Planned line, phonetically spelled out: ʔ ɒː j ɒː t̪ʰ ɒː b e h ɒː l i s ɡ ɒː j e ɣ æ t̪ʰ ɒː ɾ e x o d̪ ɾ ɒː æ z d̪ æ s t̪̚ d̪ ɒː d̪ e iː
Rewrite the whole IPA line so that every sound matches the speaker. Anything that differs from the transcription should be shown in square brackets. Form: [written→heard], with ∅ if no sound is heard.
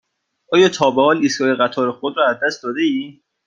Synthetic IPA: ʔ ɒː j ɒː t̪ʰ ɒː b e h ɒː l i s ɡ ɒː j e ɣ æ t̪ʰ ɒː ɾ e x o d̪ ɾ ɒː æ z d̪ æ s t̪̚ d̪ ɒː d̪ e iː